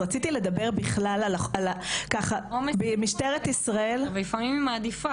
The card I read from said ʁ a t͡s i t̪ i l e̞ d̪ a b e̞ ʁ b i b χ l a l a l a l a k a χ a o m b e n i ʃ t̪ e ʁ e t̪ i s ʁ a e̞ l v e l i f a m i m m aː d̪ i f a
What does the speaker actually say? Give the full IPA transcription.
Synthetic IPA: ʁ a t͡s i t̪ i l e̞ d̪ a b e̞ ʁ b i χ l a l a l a l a k a χ a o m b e m i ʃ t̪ e ʁ e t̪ i s ʁ a e̞ l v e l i f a m i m m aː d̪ i f a